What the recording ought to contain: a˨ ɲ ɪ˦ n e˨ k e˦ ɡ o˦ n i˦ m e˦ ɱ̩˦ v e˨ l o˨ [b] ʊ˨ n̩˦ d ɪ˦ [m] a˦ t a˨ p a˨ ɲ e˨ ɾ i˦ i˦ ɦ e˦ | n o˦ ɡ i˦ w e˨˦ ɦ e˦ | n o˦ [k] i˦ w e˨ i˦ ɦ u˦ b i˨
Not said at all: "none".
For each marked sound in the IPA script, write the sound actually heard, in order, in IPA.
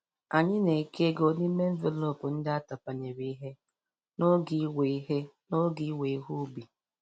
p, none, ɡ

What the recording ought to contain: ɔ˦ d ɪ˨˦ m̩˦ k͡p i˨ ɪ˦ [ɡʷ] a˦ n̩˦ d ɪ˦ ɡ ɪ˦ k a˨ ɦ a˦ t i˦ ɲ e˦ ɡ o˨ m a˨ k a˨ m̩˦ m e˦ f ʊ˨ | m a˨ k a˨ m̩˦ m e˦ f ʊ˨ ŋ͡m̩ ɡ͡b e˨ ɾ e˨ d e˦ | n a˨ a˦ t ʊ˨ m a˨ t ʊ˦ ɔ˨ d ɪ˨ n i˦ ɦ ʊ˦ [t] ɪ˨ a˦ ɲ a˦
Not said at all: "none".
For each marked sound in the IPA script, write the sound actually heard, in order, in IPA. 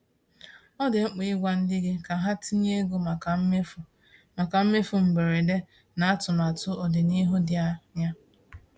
ɡʷ, d

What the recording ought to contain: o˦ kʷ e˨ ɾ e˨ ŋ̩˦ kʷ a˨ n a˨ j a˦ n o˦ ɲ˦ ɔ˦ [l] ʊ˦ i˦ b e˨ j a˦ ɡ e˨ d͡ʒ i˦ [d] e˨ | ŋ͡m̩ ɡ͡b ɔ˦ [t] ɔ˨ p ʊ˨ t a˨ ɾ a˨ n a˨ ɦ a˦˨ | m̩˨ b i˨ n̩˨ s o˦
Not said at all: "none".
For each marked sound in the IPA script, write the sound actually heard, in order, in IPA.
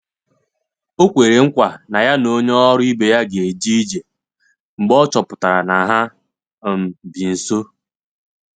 ɾ, d͡ʒ, t͡ʃ

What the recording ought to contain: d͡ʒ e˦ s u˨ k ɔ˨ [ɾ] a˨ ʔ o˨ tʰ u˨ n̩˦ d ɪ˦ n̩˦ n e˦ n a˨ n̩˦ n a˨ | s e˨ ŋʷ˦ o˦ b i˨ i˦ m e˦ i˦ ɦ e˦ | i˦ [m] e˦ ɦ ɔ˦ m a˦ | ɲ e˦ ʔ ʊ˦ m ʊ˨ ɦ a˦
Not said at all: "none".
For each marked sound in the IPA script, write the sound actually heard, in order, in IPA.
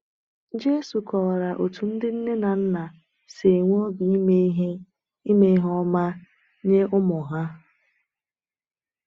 ɾ, m

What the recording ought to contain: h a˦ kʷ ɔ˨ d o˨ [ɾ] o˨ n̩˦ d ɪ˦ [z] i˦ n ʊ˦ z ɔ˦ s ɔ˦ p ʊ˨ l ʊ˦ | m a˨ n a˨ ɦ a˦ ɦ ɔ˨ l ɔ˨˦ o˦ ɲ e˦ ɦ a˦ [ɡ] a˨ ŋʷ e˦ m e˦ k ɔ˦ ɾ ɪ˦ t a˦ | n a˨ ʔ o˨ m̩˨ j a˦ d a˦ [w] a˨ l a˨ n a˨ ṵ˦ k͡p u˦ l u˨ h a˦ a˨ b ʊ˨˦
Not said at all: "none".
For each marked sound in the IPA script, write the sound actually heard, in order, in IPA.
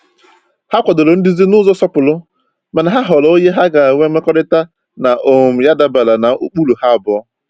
l, z, ɡ, b

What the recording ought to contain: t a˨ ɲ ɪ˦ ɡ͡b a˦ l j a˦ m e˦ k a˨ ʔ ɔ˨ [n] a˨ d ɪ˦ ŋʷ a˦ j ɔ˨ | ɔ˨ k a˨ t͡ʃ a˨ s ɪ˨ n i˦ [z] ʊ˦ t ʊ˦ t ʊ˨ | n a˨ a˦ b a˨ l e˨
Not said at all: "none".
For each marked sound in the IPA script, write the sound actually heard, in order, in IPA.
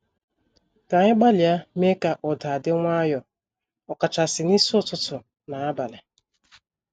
d, s

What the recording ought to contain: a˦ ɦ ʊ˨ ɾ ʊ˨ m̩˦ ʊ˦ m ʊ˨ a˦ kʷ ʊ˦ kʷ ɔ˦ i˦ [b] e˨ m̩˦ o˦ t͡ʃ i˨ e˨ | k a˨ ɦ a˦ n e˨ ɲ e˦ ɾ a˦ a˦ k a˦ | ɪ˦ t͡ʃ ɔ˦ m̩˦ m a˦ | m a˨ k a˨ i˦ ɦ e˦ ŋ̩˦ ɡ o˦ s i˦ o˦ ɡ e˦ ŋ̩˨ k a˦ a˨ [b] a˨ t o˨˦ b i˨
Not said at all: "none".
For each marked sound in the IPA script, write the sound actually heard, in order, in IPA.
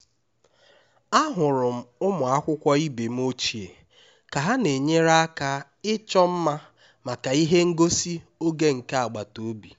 b, ɡ͡b

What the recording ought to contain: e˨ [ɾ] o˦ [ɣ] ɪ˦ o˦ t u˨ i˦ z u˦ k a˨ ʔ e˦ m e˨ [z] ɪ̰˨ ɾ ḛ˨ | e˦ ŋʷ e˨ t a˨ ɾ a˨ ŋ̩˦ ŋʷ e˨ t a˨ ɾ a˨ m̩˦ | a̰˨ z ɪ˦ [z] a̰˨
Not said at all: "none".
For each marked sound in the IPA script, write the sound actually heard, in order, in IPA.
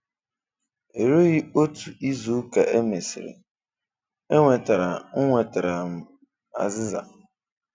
ɾ, ɣ, s, z

